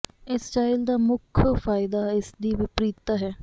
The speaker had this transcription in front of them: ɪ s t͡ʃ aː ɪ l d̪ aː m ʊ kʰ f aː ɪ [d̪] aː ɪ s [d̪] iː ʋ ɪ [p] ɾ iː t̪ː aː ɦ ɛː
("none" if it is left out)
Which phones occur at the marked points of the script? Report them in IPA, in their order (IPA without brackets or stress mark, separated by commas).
d̪, d̪, p